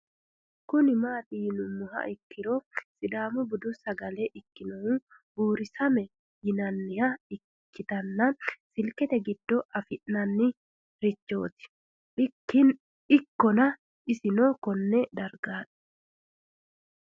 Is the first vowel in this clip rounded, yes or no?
yes